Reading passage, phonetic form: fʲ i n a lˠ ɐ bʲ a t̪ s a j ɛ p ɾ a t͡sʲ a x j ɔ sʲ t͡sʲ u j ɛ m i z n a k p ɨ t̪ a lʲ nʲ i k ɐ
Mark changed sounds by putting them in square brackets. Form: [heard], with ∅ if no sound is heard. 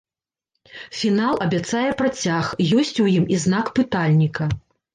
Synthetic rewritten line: fʲ i n a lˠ ɐ bʲ a t̪ s a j ɛ p ɾ a t͡sʲ a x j ɔ sʲ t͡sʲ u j [i] m i z n a k p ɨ t̪ a lʲ nʲ i k ɐ